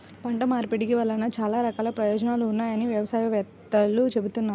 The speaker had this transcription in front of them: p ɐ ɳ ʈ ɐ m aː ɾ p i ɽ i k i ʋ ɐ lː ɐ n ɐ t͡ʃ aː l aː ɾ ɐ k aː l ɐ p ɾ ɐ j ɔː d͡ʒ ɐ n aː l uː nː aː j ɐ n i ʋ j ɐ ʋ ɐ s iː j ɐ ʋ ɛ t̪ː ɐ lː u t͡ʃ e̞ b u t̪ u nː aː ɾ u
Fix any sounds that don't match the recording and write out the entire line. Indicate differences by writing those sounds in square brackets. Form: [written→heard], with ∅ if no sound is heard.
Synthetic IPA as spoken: p ɐ ɳ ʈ ɐ m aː ɾ p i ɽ i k i ʋ ɐ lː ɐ n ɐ t͡ʃ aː l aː ɾ ɐ k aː l ɐ p ɾ ɐ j ɔː d͡ʒ ɐ n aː l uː nː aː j ɐ n i ʋ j ɐ ʋ ɐ s [iː→aː] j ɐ ʋ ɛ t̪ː ɐ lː u t͡ʃ e̞ b u t̪ u nː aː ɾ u

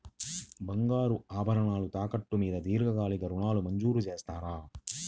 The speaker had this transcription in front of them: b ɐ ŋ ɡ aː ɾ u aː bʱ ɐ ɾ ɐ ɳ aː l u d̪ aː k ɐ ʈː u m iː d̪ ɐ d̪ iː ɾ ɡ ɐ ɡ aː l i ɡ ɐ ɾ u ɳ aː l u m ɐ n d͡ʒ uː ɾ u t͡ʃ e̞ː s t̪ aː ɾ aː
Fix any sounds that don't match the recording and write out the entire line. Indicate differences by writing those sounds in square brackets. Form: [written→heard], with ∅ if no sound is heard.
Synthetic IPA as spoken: b ɐ ŋ ɡ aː ɾ u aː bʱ ɐ ɾ ɐ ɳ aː l u [d̪→t̪] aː k ɐ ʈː u m iː d̪ ɐ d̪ iː ɾ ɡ ɐ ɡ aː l i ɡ ɐ ɾ u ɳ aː l u m ɐ [n→ɲ] d͡ʒ uː ɾ u t͡ʃ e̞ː s t̪ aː ɾ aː

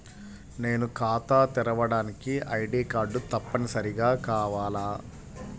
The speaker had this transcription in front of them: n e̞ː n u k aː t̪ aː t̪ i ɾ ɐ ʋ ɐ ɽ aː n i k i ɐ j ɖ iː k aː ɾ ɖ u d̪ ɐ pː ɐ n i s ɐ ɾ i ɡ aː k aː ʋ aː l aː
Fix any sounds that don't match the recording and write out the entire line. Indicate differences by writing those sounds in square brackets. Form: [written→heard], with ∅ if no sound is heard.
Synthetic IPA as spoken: n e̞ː n u k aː t̪ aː t̪ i ɾ ɐ ʋ ɐ ɽ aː n i k i ɐ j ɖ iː k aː ɾ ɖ u [d̪→t̪] ɐ pː ɐ n i s ɐ ɾ i ɡ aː k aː ʋ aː l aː

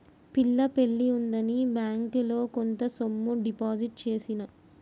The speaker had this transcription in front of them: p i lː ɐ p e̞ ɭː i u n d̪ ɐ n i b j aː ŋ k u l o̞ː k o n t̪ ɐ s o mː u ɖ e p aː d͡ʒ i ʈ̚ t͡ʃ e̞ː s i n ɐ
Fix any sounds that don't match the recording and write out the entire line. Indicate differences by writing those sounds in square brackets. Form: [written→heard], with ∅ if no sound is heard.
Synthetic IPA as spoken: p i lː ɐ p e̞ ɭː i u n d̪ ɐ n i b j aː ŋ k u l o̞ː k o n t̪ ɐ s o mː u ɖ [e→i] p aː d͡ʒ i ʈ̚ t͡ʃ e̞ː s i n ɐ

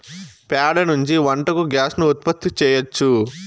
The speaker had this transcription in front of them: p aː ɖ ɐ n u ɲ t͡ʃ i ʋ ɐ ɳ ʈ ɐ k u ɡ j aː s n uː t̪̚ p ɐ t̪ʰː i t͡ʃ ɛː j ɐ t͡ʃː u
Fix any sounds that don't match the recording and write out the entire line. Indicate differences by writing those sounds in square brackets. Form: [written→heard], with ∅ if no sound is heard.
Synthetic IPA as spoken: p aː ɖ ɐ n u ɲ t͡ʃ i ʋ ɐ ɳ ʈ ɐ k u ɡ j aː s n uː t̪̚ p ɐ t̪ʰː i t͡ʃ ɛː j ɐ t͡ʃː u

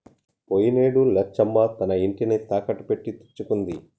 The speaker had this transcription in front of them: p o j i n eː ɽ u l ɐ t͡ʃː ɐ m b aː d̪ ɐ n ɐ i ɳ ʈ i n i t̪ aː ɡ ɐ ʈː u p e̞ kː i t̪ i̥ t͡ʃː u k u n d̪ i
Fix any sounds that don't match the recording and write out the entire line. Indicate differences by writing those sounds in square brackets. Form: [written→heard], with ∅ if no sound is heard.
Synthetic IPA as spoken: p o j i n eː ɽ u l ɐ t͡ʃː ɐ m b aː [d̪→t̪] ɐ n ɐ i ɳ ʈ i n i t̪ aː [ɡ→k] ɐ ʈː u p e̞ [kː→ʈː] i t̪ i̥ t͡ʃː u k u n d̪ i

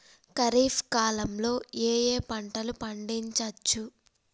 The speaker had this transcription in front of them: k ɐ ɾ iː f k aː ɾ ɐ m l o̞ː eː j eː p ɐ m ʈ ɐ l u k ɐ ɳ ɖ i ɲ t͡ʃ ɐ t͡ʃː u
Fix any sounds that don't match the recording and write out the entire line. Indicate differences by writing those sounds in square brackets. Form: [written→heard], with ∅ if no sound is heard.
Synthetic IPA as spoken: k ɐ ɾ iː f k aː [ɾ→l] ɐ m l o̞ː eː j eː p ɐ [m→ɳ] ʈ ɐ l u [k→p] ɐ ɳ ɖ i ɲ t͡ʃ ɐ t͡ʃː u

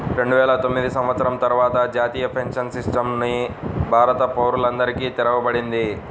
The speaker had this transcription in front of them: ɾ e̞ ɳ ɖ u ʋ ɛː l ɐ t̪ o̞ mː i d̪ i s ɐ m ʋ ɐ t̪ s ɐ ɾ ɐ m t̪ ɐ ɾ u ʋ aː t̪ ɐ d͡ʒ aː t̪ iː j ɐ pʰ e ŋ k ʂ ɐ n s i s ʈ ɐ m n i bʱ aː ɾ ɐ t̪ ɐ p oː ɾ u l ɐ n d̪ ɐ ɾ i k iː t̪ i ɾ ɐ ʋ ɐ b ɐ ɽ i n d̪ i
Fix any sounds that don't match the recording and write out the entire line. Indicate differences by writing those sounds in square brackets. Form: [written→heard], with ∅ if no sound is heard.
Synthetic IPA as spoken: ɾ e̞ ɳ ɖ u ʋ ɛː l ɐ t̪ o̞ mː i d̪ i s ɐ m ʋ ɐ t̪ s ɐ ɾ ɐ m t̪ ɐ ɾ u ʋ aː t̪ ɐ d͡ʒ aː t̪ iː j ɐ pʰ e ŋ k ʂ ɐ n s i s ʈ ɐ m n i bʱ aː ɾ ɐ t̪ ɐ p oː ɾ u l ɐ n d̪ ɐ ɾ i k iː t̪ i ɾ ɐ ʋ ɐ b ɐ ɽ i n d̪ i

